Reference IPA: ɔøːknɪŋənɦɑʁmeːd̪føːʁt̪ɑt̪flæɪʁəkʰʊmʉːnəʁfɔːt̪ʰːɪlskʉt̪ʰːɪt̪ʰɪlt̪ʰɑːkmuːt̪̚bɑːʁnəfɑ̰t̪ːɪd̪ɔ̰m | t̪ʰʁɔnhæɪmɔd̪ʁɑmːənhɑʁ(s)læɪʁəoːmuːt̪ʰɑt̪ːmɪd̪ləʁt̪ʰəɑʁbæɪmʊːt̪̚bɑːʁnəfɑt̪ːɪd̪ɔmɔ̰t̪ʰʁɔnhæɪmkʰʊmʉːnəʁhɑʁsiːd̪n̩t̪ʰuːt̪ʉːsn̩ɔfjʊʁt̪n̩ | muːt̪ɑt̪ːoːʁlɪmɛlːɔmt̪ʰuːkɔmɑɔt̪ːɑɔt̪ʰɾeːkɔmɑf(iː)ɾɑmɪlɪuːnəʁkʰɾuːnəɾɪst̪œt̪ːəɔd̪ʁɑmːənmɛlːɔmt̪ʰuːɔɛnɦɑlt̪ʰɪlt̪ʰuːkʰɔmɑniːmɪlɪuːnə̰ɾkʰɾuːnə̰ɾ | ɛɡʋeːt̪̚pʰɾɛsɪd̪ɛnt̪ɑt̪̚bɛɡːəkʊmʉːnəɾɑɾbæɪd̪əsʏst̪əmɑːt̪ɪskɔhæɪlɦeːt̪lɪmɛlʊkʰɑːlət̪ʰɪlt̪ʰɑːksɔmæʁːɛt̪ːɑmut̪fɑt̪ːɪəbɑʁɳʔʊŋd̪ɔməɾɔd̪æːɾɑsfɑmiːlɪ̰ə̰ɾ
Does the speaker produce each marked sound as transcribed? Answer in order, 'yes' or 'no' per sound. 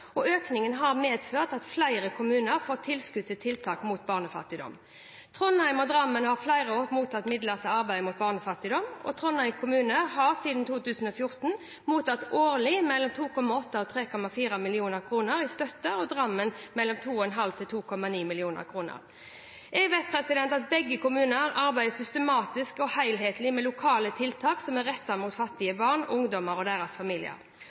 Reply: no, yes

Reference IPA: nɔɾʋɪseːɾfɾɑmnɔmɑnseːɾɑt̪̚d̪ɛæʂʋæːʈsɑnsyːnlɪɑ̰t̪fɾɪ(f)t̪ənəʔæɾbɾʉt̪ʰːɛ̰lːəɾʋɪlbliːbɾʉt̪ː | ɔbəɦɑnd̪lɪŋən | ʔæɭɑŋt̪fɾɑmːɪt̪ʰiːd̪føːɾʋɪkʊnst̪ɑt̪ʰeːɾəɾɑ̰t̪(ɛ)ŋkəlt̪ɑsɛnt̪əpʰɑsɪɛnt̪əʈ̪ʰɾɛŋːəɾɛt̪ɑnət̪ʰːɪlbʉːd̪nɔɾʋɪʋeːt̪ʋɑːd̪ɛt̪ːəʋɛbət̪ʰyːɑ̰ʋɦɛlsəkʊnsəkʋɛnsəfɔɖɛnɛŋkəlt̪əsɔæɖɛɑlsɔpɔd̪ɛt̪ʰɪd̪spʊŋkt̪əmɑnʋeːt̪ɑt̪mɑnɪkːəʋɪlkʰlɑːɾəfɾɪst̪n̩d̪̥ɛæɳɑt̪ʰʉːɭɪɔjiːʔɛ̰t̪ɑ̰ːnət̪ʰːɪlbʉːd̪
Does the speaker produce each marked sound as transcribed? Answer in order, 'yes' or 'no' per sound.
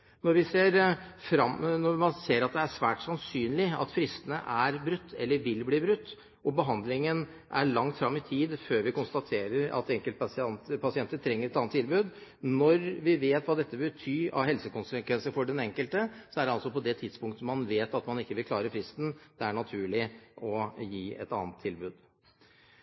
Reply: no, yes

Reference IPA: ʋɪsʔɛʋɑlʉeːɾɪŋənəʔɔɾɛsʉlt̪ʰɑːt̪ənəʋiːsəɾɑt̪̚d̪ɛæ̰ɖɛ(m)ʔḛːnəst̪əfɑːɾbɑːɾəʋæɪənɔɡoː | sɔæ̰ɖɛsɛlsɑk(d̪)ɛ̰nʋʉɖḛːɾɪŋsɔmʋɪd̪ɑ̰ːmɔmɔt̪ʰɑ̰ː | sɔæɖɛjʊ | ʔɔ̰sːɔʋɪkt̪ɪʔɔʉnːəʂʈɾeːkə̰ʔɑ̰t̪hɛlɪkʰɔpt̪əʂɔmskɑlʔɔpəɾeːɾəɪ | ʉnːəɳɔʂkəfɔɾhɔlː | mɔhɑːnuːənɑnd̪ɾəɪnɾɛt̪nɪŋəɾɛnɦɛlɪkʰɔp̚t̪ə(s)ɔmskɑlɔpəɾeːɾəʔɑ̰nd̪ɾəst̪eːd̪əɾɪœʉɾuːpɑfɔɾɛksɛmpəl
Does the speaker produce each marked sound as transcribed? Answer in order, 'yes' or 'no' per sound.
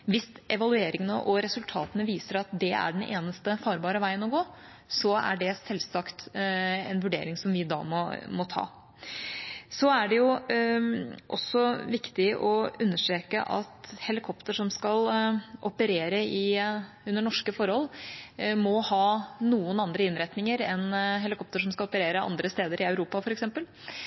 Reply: no, no, no

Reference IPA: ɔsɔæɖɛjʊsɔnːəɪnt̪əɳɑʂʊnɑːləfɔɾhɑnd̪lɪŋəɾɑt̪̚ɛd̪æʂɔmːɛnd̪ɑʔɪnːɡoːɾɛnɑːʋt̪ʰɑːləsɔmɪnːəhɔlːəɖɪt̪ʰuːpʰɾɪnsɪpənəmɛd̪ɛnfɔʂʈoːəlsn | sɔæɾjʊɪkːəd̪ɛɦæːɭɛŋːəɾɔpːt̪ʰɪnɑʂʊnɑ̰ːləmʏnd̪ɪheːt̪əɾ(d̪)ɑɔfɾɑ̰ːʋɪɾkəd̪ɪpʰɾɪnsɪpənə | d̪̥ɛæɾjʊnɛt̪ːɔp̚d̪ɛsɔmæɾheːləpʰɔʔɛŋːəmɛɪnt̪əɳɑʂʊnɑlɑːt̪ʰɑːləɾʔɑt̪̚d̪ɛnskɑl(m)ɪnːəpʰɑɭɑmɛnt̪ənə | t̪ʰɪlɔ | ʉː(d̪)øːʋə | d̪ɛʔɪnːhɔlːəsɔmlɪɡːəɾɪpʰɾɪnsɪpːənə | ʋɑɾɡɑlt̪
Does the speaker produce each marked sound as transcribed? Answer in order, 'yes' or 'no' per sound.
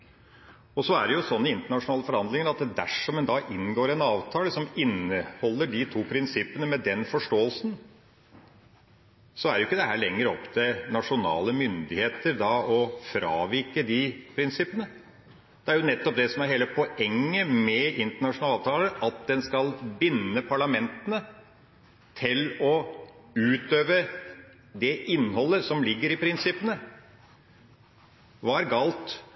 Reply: yes, no, no

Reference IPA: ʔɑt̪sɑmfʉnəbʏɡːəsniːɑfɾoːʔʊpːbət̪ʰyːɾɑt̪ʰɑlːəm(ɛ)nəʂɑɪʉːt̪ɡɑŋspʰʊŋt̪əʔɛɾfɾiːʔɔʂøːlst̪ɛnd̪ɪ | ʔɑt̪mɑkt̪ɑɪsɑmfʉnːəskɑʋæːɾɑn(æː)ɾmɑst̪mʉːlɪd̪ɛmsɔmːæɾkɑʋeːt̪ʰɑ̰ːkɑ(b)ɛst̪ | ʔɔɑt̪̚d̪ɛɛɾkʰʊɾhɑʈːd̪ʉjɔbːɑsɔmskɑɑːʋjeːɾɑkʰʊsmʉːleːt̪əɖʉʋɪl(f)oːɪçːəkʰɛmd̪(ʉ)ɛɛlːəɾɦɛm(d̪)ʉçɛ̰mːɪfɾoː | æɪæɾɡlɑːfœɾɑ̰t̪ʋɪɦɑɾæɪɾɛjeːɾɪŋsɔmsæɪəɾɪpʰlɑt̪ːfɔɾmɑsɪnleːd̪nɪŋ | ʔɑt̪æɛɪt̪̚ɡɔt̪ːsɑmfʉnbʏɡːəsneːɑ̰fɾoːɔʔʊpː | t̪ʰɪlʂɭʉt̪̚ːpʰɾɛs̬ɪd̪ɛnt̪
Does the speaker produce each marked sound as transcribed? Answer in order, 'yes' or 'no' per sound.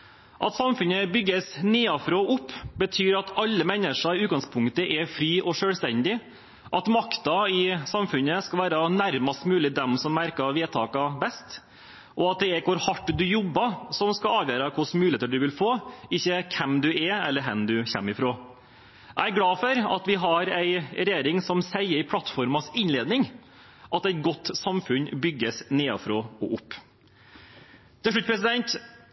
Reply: yes, no, yes, yes, yes, yes

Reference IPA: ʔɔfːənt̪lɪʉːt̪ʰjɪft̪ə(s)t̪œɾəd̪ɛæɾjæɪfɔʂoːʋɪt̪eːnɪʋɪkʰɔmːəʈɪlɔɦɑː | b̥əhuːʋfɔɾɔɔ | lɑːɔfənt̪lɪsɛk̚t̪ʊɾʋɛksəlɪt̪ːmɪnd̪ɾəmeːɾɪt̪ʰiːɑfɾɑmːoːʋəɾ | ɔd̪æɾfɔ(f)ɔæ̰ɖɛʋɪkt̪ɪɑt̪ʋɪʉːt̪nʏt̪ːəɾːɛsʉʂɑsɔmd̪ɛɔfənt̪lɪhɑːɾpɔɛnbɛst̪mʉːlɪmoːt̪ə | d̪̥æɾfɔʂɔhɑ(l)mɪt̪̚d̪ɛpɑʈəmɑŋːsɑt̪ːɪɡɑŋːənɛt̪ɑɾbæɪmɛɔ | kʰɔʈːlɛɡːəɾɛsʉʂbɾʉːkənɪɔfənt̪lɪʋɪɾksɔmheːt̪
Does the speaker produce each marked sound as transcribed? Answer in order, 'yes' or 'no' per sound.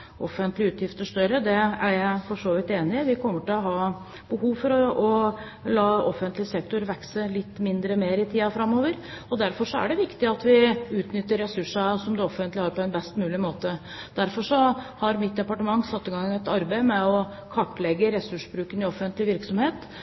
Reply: no, no, no

